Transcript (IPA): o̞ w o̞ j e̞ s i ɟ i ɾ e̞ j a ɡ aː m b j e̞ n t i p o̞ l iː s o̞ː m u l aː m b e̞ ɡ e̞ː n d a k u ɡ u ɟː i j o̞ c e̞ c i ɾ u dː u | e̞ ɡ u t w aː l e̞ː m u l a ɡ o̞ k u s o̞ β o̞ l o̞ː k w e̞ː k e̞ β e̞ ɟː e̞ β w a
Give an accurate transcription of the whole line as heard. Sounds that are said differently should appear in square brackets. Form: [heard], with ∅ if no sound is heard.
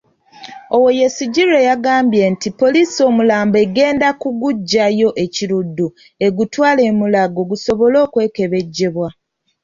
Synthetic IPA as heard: o̞ w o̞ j e̞ s i ɟ i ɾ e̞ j a ɡ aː m b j e̞ n t i p o̞ l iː s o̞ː m u l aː m b e̞ ɡ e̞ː n d a k u ɡ u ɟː [a] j o̞ [ʔ] e̞ c i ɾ u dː u | e̞ ɡ u t w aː l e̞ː m u l a ɡ o̞ [ɡ] u s o̞ β o̞ l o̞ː k w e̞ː k e̞ β e̞ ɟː e̞ β w a